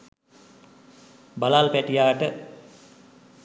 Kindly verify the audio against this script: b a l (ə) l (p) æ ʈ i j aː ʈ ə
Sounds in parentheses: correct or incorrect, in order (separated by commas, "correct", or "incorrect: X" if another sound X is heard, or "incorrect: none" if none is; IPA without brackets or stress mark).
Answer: incorrect: a, correct